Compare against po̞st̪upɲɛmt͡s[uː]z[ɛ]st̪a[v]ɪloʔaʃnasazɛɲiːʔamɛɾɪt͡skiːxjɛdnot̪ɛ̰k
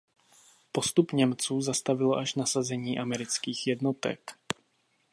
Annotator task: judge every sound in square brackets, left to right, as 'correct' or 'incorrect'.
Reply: correct, incorrect, correct

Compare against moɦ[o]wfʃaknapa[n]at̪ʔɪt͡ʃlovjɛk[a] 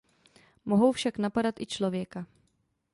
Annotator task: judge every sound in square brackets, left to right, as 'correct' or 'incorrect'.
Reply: correct, incorrect, correct

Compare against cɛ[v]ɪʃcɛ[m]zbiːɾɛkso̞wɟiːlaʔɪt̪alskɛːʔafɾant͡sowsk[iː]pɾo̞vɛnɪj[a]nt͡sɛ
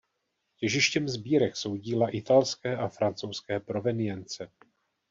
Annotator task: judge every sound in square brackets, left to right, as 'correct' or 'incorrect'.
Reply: incorrect, correct, incorrect, incorrect

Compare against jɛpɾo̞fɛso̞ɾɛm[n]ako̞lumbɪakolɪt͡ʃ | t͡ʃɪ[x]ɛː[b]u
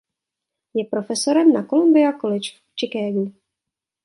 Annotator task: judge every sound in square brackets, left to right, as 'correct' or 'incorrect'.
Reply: correct, incorrect, incorrect

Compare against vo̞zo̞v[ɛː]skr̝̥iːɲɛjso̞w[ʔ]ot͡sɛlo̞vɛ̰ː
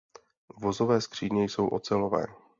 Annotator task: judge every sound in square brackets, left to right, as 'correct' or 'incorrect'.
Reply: correct, correct

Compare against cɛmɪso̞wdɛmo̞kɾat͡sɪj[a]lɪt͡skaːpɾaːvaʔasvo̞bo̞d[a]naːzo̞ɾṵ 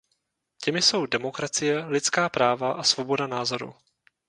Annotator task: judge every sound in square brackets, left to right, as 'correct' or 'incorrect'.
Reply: incorrect, correct

